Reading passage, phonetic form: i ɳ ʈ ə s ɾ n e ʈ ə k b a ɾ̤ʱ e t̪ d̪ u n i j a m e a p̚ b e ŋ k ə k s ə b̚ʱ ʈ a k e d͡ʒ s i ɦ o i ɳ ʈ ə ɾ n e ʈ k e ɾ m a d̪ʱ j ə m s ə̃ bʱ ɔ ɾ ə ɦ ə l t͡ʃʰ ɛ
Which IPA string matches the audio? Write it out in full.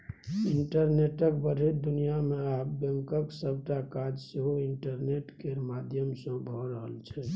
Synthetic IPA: i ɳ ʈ ə ɾ n e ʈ ə k b ə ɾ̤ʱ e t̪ d̪ u n i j a m e a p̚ b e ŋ k ə k s ə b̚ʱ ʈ a k a d͡ʒ s e ɦ o i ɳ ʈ ə ɾ n e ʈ k e ɾ m a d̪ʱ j ə m s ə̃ bʱ ɔ ɾ ə ɦ ə l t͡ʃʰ ɛ